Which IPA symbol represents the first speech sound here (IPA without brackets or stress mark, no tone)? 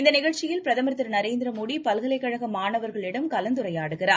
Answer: ɪ